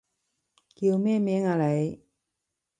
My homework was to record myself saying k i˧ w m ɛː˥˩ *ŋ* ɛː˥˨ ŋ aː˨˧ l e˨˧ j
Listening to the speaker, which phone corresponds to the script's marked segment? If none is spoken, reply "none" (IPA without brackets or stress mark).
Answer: m